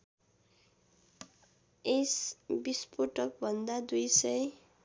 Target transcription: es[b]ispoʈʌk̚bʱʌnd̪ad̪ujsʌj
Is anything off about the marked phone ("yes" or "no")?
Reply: no